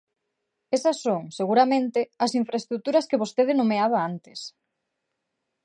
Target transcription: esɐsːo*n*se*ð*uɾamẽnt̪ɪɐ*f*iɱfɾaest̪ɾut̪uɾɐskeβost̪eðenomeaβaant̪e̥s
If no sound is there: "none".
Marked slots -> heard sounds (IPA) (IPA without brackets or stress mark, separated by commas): ŋ, ɣ, s